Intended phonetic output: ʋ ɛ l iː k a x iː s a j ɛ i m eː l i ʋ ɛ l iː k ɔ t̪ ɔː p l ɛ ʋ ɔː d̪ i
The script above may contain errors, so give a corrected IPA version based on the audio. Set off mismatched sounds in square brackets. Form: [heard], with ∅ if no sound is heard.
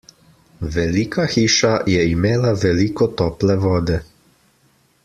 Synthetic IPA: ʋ ɛ l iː k a x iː [ʃ] a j ɛ i m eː l [a] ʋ ɛ l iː k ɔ t̪ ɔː p l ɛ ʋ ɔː d̪ [ɛ]